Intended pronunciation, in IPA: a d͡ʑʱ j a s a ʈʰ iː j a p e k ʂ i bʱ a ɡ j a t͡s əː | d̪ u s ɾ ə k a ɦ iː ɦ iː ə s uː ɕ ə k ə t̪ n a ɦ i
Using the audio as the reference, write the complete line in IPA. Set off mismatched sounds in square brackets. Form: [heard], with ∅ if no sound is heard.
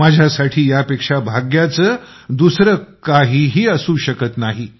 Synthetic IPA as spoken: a d͡ʑʱ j a s a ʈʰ iː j a p e k ʂ [a] bʱ a ɡ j a t͡s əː | d̪ u s ɾ ə k a ɦ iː ɦ iː ə s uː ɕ ə k ə t̪ n a ɦ i